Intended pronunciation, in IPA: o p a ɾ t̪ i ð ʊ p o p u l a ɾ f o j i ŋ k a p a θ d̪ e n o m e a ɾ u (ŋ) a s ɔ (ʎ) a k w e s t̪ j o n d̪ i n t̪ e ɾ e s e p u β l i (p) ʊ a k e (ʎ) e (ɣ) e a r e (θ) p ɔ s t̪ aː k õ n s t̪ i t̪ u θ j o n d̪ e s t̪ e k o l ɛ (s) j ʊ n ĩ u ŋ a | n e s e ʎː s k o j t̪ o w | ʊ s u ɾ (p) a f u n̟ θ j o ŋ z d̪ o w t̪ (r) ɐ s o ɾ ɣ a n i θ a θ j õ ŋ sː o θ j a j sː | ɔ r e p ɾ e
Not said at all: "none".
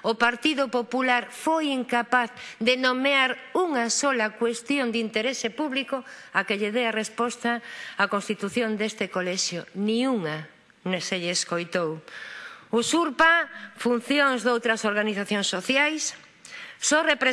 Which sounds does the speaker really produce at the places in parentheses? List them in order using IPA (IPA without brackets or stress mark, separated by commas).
ŋ, l, k, ʎ, ð, s, ʃ, p, ɾ